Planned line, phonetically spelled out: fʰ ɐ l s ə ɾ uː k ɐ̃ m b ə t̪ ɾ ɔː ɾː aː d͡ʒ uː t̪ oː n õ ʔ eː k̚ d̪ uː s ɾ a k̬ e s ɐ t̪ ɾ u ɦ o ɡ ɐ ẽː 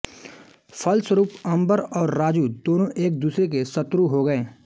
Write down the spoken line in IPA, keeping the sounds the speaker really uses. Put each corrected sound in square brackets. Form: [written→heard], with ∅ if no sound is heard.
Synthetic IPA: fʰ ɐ l s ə ɾ uː [k→p] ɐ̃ m b ə [t̪→∅] ɾ ɔː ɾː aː d͡ʒ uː [t̪→d̪] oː n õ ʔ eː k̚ d̪ uː s ɾ [a→e] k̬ e s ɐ t̪ ɾ u ɦ o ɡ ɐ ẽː